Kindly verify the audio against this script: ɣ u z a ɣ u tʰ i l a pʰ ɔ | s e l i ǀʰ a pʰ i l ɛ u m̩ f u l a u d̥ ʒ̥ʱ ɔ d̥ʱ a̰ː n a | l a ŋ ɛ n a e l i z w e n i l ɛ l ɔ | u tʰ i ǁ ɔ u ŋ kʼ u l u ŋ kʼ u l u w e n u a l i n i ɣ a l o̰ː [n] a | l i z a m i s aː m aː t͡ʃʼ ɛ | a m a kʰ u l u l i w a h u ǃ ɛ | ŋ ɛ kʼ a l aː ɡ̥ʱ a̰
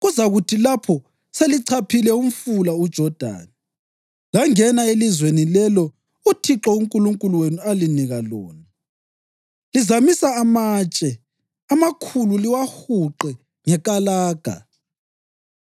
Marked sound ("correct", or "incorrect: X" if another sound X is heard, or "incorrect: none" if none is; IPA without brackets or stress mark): correct